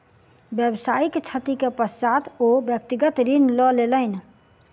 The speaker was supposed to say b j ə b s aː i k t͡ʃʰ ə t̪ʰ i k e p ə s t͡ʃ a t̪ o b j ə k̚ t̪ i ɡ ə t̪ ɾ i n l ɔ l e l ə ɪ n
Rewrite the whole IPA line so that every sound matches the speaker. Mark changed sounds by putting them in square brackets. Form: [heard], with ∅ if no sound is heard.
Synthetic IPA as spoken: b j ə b s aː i k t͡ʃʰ ə [t̪] i k e p ə s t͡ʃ a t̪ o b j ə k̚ t̪ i ɡ ə t̪ ɾ i n l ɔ l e l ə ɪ n